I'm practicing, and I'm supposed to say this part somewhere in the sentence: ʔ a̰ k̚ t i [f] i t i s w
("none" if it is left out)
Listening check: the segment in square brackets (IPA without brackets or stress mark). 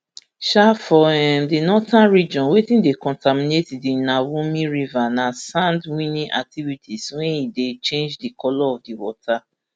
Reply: v